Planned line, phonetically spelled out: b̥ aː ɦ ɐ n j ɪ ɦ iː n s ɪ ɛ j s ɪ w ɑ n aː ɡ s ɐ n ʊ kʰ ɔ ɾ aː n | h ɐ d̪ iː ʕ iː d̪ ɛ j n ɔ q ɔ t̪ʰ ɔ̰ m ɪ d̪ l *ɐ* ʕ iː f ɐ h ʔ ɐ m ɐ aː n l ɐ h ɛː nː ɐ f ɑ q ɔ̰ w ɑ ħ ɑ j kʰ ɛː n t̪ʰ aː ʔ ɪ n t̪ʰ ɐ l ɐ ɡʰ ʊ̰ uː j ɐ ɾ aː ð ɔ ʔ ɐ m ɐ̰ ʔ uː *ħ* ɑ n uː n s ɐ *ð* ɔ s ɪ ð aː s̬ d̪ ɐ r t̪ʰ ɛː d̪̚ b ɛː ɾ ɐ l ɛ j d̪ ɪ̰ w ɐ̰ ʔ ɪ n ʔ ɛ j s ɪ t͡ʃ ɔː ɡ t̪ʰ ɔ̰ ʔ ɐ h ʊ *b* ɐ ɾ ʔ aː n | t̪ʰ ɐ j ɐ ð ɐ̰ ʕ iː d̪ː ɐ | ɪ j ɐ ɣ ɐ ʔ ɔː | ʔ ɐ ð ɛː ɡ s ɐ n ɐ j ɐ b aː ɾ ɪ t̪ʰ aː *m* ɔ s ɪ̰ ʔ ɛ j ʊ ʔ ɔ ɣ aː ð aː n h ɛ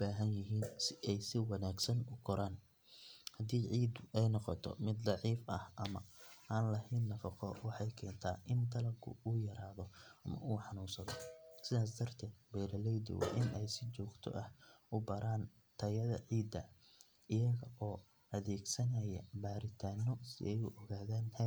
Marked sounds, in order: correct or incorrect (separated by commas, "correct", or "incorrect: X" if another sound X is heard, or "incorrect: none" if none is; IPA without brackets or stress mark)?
incorrect: ɑ, correct, correct, correct, incorrect: n